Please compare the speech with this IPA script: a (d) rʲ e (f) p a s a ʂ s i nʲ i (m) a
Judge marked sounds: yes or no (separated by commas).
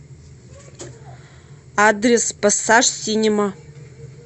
yes, no, yes